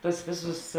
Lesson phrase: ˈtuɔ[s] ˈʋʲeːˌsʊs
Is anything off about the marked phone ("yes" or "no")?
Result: no